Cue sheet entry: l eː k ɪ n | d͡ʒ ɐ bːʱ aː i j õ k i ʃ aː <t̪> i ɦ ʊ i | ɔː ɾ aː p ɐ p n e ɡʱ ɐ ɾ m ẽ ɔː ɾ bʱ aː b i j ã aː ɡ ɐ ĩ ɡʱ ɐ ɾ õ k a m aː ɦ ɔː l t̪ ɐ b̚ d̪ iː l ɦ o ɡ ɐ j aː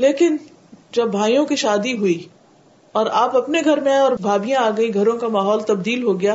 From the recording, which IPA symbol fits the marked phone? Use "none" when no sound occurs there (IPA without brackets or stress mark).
d̪